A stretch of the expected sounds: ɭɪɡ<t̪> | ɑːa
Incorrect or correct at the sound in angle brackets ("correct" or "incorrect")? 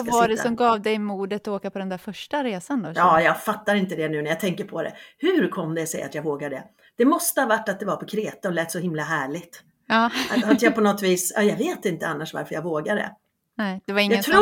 correct